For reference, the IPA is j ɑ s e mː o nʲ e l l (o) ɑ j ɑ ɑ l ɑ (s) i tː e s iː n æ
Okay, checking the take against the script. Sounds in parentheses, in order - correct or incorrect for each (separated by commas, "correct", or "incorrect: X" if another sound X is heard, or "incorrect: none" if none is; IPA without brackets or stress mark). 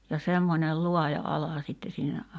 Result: incorrect: u, correct